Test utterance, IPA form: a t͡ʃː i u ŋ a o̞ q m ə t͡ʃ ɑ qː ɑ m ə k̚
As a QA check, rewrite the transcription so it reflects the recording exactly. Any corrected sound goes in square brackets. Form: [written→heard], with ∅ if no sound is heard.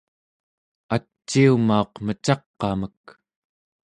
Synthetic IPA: a t͡ʃː i u [ŋ→m] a o̞ q m ə t͡ʃ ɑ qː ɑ m ə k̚